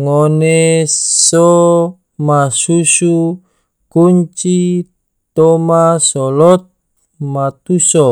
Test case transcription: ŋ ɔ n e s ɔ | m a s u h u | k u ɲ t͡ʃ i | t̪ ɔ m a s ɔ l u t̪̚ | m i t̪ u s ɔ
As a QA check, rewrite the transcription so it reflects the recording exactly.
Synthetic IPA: ŋ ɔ n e s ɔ | m a s u s u | k u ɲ t͡ʃ i | t̪ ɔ m a s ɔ l ɔ t̪̚ | m a t̪ u s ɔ